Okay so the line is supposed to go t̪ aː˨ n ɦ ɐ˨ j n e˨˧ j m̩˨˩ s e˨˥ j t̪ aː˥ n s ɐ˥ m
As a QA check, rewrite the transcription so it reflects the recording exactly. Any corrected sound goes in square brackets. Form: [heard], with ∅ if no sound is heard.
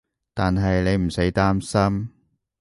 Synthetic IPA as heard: t̪ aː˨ n ɦ ɐ˨ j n e˨˧ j m̩˨˩ s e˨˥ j t̪ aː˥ [m] s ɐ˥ m

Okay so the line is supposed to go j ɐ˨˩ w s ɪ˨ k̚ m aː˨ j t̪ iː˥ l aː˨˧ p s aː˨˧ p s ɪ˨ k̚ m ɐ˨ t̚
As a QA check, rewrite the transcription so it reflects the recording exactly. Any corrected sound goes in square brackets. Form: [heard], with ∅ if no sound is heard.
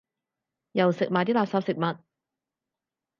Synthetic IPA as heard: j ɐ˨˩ w s ɪ˨ k̚ m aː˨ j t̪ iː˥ l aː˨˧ p s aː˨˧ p s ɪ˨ k̚ m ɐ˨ t̚

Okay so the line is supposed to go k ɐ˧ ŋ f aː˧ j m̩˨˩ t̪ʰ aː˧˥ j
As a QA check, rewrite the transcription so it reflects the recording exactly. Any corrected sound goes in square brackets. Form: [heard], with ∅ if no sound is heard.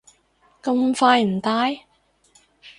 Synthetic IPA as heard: k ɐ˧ [m] f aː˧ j m̩˨˩ [t̪] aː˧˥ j

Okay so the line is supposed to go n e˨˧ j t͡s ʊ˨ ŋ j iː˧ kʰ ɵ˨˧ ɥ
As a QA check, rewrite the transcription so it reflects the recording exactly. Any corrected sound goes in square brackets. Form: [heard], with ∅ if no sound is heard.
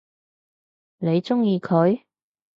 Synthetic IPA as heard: n e˨˧ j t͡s [ʊ˥] ŋ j iː˧ kʰ ɵ˨˧ ɥ

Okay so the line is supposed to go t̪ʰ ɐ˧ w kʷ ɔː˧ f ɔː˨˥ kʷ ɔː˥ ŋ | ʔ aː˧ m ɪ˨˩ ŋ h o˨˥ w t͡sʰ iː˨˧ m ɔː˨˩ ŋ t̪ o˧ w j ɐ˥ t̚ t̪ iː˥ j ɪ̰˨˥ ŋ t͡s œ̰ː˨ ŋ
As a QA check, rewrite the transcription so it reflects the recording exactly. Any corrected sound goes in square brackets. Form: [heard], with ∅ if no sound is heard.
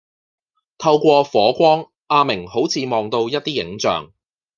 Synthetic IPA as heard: t̪ʰ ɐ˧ w kʷ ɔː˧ f ɔː˨˥ kʷ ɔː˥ ŋ | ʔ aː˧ m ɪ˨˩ ŋ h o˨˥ w t͡sʰ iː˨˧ m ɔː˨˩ ŋ t̪ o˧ w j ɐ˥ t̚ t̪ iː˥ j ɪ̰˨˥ ŋ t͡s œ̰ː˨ ŋ

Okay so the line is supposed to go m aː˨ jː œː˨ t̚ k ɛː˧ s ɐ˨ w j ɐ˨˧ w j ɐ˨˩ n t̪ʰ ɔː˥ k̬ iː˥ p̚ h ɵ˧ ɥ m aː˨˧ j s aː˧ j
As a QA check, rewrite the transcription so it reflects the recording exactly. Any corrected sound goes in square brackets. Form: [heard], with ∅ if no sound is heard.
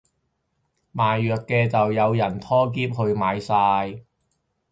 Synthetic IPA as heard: m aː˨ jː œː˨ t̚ k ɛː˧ [t͡s] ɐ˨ w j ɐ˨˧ w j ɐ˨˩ n t̪ʰ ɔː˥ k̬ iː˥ p̚ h ɵ˧ ɥ m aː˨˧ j s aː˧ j

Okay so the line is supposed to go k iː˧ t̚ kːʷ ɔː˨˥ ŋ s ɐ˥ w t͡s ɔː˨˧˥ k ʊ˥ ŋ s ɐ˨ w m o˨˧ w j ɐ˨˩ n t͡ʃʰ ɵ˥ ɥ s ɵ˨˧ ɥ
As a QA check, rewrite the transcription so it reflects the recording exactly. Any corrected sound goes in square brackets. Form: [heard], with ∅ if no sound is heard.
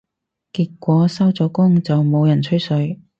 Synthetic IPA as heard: k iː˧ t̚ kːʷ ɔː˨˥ [∅] s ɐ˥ w t͡s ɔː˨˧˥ k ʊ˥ ŋ [t͡s] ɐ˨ w m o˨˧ w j ɐ˨˩ n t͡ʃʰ ɵ˥ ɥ s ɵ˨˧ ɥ

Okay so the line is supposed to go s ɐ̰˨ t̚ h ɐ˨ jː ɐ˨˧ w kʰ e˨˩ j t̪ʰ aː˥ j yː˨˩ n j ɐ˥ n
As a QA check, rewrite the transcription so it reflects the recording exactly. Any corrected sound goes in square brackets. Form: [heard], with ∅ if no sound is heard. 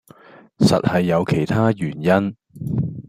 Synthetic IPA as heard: s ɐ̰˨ t̚ h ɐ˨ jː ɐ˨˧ w kʰ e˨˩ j t̪ʰ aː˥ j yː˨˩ n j ɐ˥ n

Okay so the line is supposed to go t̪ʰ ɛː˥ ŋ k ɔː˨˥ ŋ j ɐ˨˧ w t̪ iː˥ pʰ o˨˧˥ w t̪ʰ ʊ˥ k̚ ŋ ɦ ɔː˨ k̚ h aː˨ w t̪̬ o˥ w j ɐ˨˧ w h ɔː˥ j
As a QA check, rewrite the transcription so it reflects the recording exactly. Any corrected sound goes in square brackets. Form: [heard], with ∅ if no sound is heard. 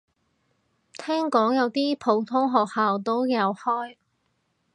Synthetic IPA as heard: t̪ʰ ɛː˥ ŋ k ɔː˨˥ ŋ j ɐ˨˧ w t̪ iː˥ pʰ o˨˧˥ w t̪ʰ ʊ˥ [∅] ŋ ɦ ɔː˨ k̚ h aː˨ w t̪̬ o˥ w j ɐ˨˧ w h ɔː˥ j

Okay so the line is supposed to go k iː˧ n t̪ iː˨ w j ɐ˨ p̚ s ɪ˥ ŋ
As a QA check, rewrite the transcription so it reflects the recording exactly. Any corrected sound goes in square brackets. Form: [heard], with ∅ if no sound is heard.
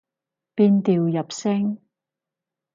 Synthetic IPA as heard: [p] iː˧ n t̪ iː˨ w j ɐ˨ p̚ s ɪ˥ ŋ

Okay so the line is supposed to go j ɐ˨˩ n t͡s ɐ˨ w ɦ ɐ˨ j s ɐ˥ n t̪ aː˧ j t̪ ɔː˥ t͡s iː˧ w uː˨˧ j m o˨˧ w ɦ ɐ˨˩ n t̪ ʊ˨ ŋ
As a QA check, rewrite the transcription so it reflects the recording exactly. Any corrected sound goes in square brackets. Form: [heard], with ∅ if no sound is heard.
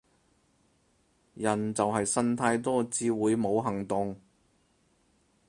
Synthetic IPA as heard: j ɐ˨˩ n t͡s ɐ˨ w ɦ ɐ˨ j s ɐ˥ n [t̪ʰ] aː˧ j t̪ ɔː˥ t͡s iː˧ w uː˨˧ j m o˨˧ w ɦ ɐ˨˩ [ŋ] t̪ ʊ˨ ŋ

